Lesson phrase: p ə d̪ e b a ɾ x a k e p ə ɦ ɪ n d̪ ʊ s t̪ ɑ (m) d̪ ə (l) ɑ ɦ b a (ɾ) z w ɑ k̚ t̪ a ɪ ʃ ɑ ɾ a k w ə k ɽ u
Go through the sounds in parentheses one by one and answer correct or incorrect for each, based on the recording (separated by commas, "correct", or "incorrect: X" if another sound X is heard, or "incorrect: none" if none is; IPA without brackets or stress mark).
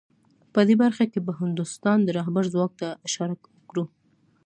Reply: incorrect: n, incorrect: ɾ, correct